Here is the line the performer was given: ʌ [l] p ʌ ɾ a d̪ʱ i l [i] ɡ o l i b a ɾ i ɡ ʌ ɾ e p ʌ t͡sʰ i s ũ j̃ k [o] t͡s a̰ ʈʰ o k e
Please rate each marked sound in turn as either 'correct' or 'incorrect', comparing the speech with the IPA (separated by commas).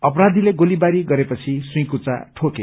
incorrect, incorrect, incorrect